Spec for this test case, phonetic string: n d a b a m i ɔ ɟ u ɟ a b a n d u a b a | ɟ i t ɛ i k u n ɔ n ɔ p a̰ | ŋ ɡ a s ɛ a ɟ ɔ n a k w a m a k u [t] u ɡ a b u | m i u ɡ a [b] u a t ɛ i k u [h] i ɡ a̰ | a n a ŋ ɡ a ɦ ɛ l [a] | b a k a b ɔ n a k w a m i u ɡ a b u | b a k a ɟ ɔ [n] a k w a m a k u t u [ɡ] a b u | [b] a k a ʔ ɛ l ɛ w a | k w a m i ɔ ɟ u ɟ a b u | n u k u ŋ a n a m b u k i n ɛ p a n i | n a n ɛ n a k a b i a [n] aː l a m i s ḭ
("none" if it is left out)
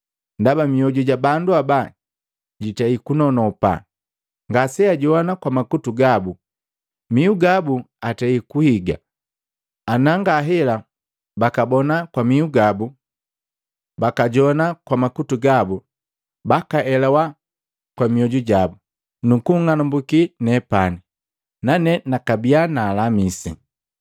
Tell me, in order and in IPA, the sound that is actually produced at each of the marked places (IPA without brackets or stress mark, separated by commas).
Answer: t, b, h, a, n, ɡ, b, n